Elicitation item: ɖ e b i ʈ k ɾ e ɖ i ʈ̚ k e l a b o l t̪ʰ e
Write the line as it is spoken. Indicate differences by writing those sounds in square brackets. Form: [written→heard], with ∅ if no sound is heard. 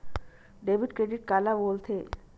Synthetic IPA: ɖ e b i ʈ k ɾ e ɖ i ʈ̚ k [e→a] l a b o l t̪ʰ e